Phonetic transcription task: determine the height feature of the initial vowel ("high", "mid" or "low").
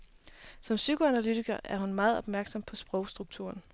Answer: low